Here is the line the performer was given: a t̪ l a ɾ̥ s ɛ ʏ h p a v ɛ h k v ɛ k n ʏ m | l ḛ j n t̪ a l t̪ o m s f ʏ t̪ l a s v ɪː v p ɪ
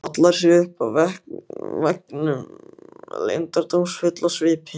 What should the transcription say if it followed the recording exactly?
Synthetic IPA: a t̪ l a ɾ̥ s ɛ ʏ h p a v ɛ h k v ɛ k n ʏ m | l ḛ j n t̪ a ɾ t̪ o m s f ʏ t̪ l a s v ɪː p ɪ